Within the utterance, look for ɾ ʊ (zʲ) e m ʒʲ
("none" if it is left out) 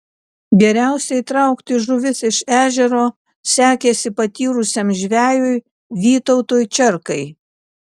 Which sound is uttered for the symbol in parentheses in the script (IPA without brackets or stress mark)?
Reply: sʲ